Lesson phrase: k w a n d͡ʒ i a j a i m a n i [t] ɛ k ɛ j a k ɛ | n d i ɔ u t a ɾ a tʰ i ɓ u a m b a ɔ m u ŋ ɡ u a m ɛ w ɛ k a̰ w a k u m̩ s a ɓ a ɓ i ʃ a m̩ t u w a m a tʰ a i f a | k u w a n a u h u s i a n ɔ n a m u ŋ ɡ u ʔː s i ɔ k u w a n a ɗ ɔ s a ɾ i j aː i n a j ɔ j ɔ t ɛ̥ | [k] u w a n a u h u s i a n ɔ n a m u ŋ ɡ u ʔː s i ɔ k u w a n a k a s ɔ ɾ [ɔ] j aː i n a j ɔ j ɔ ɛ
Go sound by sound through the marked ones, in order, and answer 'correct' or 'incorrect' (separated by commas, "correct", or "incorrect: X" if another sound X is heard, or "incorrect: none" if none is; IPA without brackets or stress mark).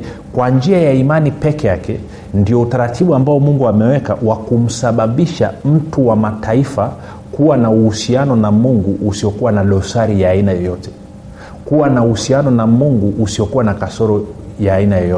incorrect: p, correct, correct